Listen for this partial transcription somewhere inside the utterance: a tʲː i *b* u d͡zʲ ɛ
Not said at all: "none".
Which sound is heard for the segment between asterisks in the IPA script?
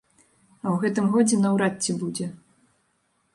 b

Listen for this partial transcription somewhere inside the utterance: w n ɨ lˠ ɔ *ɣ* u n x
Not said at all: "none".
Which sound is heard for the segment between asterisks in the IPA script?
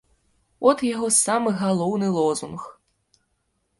z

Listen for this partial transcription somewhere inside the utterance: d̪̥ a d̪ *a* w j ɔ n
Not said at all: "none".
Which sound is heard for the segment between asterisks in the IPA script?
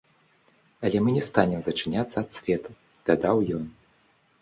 a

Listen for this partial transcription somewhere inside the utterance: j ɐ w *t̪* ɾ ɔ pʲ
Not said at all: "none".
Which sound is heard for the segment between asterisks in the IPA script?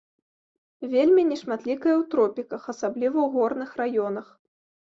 t̪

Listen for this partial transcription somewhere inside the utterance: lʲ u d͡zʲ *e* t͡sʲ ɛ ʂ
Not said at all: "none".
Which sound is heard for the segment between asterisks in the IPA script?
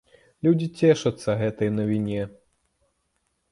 i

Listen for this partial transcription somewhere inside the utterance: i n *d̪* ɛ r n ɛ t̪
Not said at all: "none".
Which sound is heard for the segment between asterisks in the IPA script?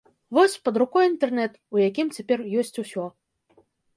t̪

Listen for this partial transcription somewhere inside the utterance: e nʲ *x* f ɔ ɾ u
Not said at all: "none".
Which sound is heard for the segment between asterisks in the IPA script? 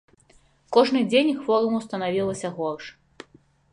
x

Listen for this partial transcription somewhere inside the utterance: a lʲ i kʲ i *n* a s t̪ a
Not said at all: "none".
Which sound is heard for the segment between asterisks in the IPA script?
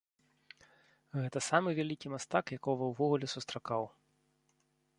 m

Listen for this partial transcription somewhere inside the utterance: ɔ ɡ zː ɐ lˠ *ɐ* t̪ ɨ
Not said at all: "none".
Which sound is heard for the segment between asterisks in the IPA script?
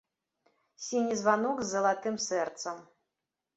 a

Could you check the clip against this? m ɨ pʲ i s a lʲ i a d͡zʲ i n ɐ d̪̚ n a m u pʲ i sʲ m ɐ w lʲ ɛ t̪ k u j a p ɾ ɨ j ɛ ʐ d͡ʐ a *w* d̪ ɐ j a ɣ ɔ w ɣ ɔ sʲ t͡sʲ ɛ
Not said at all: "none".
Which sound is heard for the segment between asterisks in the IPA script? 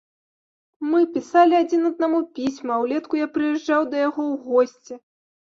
w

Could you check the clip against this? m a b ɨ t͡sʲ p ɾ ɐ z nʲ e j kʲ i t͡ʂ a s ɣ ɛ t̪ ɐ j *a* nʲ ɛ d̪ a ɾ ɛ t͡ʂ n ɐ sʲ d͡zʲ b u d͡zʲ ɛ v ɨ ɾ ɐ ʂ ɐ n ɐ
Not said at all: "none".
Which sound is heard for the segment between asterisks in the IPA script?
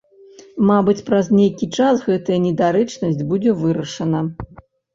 ɐ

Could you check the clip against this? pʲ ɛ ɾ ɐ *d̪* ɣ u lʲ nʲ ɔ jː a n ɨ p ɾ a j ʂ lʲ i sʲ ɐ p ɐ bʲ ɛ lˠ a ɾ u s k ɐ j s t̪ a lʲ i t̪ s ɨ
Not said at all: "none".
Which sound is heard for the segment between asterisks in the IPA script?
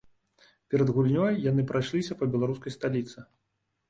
d̪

